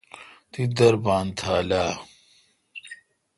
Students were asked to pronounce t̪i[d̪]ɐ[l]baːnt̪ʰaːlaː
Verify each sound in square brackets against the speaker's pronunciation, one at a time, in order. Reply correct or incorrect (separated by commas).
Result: correct, incorrect